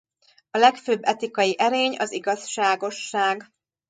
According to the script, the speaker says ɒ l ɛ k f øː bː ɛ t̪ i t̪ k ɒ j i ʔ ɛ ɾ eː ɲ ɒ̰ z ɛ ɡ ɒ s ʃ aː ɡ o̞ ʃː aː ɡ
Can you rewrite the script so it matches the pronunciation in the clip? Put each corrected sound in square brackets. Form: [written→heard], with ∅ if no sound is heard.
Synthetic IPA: ɒ l ɛ k f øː bː ɛ t̪ i [t̪→∅] k ɒ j i ʔ ɛ ɾ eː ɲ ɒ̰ z [ɛ→i] ɡ ɒ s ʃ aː ɡ o̞ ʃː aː ɡ